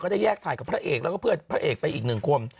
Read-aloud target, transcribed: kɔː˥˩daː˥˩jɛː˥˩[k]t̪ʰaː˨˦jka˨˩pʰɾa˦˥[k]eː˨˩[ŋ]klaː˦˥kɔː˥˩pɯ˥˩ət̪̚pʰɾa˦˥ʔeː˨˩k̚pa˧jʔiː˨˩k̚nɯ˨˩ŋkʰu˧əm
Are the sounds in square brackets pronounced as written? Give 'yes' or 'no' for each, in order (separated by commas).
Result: yes, no, no